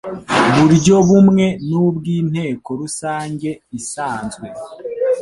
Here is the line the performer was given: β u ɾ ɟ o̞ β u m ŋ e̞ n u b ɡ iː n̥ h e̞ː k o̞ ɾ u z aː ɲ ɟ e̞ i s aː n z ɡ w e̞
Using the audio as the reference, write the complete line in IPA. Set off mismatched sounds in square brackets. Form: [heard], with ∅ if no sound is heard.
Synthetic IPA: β u ɾ ɟ o̞ β u m ŋ e̞ n u b ɡ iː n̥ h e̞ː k o̞ ɾ u [s] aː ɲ ɟ e̞ i s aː n z ɡ w e̞